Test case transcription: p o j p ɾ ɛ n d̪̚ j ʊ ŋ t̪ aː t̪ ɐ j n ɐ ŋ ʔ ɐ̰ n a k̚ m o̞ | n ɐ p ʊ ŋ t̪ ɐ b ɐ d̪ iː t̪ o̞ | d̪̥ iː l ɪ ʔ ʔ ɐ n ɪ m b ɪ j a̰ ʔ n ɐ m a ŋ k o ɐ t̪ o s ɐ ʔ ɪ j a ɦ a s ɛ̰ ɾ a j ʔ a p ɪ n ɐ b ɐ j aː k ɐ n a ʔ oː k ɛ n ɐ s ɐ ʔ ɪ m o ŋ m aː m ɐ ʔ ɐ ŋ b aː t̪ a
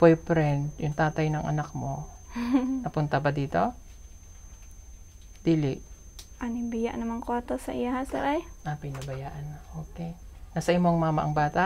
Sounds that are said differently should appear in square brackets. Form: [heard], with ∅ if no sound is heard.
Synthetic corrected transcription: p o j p ɾ ɛ n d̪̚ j ʊ ŋ t̪ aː t̪ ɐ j n ɐ ŋ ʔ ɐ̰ n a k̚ m o̞ | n ɐ p ʊ [n] t̪ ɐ b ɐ d̪ iː t̪ o̞ | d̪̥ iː l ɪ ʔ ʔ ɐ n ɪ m b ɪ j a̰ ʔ n ɐ m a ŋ k o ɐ t̪ o s ɐ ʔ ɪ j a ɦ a s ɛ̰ ɾ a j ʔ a p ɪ n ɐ b ɐ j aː [ʔ] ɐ n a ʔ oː k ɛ n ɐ s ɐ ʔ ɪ m o ŋ m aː m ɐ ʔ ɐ ŋ b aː t̪ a